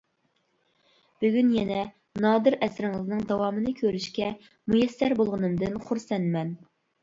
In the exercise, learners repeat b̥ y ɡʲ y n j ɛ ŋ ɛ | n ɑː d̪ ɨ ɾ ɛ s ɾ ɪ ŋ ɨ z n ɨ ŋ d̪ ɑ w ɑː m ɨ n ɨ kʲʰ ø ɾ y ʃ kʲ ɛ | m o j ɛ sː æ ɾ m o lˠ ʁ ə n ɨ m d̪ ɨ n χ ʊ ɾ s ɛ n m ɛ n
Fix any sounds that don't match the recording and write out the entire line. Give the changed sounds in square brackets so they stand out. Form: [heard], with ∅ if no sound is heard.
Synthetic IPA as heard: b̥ y ɡʲ y n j ɛ [n] ɛ | n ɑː d̪ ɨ ɾ ɛ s ɾ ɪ ŋ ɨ z n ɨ ŋ d̪ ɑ w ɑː m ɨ n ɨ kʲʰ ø ɾ y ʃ kʲ ɛ | m [u] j ɛ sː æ ɾ [b] o lˠ ʁ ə n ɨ m d̪ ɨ n χ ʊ ɾ s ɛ n m ɛ n